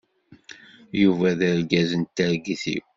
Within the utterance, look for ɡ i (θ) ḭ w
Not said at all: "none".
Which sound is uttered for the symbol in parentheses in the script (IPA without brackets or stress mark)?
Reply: θ